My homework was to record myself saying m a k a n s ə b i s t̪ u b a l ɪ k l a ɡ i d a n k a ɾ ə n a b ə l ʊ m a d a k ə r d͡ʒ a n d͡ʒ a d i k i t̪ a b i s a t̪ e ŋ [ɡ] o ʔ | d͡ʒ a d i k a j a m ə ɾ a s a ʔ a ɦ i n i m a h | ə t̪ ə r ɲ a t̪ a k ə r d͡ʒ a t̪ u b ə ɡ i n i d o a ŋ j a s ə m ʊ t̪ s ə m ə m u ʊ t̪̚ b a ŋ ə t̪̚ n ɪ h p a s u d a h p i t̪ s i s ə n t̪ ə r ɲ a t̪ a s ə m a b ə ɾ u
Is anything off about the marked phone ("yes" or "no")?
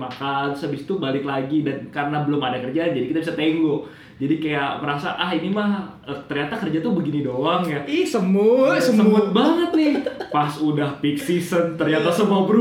no